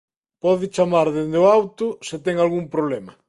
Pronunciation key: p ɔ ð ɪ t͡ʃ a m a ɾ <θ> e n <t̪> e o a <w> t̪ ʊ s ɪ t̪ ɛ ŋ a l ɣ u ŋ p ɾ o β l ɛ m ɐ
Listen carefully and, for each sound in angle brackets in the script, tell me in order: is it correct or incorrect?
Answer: incorrect, incorrect, correct

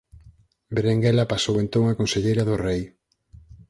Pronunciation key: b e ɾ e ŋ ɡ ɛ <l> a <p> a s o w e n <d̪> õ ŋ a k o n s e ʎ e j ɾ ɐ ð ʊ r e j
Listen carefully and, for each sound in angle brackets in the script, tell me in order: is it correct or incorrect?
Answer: correct, correct, incorrect

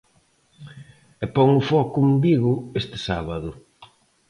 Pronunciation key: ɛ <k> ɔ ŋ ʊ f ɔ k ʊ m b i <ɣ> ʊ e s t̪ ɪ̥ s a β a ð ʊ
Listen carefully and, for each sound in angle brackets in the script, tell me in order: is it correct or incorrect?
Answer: incorrect, correct

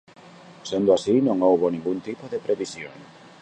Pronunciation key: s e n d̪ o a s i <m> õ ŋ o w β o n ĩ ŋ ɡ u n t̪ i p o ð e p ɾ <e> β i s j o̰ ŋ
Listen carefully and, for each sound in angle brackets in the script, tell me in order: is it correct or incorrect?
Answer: incorrect, correct

